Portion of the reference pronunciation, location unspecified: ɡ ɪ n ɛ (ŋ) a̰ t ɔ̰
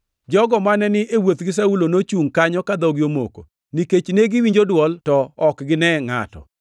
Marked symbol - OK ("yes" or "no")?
yes